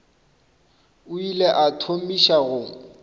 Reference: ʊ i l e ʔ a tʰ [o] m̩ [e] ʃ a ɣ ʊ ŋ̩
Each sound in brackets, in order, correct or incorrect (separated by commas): correct, incorrect